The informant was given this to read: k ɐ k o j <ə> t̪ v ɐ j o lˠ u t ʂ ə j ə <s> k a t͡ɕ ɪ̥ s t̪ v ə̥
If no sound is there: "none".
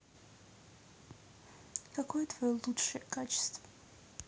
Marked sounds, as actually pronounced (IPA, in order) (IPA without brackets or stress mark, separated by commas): ə, none